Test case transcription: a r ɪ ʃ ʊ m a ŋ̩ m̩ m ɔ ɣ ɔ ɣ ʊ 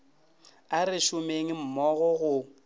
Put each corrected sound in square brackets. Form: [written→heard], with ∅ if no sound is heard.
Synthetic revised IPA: a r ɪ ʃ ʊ m [a→e] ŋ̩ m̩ m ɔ ɣ ɔ ɣ ʊ